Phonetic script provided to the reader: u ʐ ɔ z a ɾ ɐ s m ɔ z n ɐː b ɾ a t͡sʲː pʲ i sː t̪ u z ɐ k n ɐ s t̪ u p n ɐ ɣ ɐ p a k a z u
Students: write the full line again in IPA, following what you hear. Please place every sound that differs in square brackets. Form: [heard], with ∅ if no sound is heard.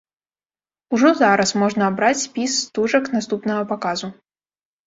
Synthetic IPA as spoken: u ʐ ɔ z a ɾ ɐ s m ɔ [ʐ] n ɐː b ɾ a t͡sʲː pʲ i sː t̪ u [ʐ] ɐ k n [a] s t̪ u p n ɐ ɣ ɐ p a k a z u